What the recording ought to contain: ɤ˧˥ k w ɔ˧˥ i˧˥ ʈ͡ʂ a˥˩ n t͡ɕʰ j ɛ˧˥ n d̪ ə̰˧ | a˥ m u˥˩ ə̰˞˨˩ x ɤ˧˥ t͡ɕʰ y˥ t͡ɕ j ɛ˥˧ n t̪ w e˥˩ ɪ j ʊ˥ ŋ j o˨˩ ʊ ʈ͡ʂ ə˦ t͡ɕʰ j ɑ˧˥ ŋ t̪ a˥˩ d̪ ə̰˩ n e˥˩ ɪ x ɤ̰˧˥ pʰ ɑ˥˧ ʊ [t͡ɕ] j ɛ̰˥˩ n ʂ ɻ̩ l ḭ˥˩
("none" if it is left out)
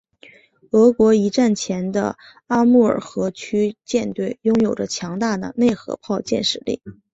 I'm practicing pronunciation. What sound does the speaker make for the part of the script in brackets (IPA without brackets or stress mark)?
t͡ɕ